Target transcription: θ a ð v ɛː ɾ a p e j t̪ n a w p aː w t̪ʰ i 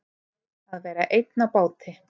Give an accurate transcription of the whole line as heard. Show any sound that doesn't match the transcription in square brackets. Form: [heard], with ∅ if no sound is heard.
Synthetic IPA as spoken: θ a ð v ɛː ɾ a [ʔ] e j t̪ n a [∅] p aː w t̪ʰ [ɪ]